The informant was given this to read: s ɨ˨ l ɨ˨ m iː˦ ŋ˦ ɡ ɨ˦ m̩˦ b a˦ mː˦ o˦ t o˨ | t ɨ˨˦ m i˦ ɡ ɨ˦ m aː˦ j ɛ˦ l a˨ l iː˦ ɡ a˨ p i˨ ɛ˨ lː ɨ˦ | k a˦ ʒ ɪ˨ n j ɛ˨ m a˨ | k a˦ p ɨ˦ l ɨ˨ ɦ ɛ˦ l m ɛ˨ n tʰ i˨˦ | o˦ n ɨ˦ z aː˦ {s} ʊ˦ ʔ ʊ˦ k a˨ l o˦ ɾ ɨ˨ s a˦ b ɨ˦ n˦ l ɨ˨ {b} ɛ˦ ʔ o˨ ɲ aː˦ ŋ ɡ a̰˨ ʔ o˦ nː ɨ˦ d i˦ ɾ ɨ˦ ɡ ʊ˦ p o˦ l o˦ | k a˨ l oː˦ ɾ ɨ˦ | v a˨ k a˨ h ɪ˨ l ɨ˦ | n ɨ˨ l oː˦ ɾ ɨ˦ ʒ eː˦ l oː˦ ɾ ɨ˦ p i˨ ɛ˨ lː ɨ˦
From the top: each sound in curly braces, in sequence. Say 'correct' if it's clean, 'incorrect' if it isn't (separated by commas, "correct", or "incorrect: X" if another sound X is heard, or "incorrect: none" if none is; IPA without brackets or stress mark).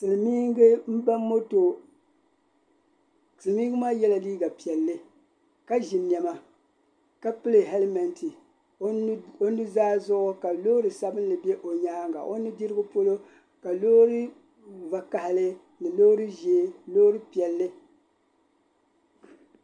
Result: incorrect: z, correct